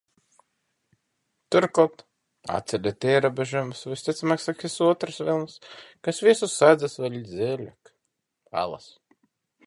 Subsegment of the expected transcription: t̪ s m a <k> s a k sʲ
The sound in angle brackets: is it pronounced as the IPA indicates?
yes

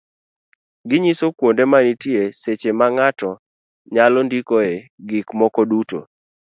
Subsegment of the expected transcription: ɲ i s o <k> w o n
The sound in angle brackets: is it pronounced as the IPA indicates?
yes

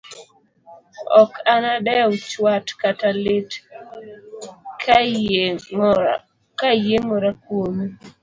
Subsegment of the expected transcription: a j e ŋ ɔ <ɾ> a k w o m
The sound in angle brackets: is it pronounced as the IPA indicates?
yes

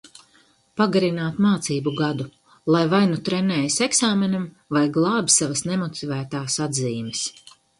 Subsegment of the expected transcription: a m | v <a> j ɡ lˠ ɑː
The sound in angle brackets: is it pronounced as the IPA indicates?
yes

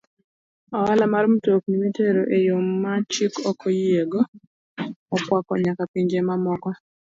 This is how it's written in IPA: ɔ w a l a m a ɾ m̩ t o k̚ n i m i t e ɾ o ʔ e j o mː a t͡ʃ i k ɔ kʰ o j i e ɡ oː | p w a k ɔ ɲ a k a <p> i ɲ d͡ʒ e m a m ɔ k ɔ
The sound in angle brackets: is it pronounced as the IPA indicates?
yes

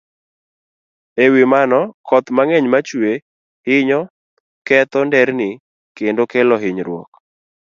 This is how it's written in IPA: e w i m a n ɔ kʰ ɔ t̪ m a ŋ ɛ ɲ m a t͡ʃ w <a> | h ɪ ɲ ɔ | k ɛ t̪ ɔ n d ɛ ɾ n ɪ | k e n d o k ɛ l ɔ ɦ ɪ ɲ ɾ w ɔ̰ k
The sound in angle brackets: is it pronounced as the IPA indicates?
no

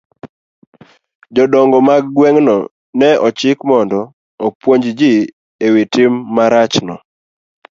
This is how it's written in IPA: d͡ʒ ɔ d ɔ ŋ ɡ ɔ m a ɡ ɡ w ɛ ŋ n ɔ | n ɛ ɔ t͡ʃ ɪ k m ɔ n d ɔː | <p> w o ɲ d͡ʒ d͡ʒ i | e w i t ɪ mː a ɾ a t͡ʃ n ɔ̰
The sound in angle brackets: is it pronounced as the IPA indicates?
yes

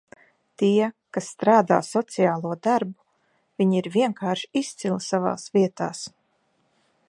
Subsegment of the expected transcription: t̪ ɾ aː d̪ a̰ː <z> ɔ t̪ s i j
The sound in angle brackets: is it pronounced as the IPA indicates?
no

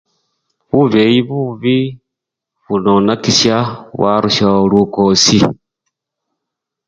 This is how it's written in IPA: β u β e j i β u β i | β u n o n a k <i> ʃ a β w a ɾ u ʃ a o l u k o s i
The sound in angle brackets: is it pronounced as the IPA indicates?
yes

